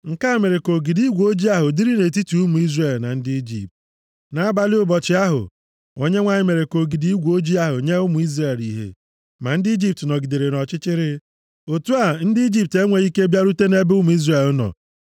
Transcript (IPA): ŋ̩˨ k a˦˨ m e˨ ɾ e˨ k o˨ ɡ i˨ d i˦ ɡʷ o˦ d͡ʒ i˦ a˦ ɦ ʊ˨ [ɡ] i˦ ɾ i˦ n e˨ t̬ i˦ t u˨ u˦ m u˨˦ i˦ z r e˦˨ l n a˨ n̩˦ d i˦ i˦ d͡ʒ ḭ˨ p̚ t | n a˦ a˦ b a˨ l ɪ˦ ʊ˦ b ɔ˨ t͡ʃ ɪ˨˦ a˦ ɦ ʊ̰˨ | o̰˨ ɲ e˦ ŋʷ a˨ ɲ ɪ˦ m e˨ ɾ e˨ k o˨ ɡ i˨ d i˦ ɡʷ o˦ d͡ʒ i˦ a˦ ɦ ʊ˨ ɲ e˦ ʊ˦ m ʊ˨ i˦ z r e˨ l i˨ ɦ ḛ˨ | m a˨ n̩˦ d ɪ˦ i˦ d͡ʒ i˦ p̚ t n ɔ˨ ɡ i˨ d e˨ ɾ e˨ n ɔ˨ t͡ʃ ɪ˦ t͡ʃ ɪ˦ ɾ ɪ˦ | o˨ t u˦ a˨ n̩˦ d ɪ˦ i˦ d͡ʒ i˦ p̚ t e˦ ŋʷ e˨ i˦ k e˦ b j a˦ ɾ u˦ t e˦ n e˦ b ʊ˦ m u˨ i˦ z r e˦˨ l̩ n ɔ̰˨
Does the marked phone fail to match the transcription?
yes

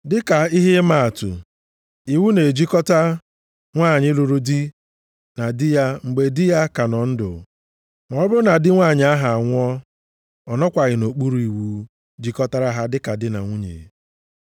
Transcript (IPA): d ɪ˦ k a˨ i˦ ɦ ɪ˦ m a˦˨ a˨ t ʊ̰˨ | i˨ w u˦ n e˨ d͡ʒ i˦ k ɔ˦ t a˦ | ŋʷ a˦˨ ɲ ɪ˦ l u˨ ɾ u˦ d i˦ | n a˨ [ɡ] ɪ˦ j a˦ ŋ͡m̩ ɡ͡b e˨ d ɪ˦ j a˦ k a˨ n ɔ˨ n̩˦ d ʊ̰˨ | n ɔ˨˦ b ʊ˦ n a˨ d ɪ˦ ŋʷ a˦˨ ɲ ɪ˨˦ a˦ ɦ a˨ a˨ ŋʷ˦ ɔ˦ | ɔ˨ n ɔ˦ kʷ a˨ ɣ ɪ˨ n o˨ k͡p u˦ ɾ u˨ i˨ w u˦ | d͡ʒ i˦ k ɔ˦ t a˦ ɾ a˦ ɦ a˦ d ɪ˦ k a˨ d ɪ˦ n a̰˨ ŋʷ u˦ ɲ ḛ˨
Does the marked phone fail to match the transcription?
yes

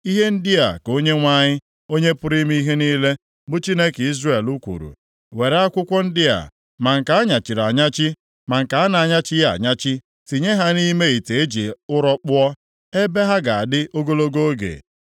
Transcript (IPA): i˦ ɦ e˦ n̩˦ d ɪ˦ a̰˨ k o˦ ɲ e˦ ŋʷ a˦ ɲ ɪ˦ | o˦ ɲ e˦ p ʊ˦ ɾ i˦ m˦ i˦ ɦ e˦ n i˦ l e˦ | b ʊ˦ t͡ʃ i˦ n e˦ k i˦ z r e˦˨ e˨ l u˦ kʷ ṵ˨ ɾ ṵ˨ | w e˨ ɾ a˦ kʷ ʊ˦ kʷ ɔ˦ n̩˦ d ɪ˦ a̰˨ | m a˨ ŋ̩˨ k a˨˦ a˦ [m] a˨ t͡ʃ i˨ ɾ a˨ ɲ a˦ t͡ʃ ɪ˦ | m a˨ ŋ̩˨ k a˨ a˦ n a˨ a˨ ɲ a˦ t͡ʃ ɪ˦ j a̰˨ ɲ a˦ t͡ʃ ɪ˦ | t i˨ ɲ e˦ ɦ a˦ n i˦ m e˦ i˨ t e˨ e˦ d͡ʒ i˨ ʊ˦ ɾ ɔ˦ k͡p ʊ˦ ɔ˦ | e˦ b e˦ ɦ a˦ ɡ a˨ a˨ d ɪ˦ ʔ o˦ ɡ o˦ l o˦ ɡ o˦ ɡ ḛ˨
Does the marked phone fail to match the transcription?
yes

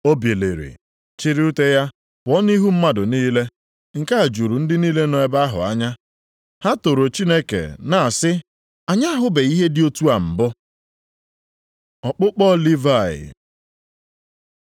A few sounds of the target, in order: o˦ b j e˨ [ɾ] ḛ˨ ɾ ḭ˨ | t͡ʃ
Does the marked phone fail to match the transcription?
yes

